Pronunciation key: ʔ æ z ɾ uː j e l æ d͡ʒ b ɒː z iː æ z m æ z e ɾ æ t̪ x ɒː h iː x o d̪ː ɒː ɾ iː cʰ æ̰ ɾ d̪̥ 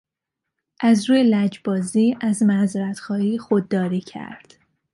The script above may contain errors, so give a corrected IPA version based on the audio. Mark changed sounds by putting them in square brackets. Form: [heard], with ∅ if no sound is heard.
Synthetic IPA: ʔ æ z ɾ uː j e l æ d͡ʒ b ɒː z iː æ z m æ z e ɾ æ t̪ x ɒː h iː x o d̪ː ɒː ɾ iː cʰ æ̰ ɾ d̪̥

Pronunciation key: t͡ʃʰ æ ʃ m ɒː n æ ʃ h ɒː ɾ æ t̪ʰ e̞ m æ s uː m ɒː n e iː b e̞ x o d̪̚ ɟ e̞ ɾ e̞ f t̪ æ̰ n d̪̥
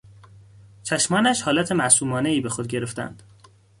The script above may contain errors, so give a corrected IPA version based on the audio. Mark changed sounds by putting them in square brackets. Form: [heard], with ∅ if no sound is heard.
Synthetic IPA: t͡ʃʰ æ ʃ m ɒː n æ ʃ h ɒː [l] æ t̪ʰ e̞ m æ s uː m ɒː n e iː b e̞ x o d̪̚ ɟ e̞ ɾ e̞ f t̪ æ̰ n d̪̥

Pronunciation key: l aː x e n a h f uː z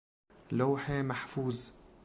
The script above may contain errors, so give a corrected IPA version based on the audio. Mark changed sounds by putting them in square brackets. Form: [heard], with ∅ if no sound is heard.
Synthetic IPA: l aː [ħ] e [m] a [ħ] f uː z

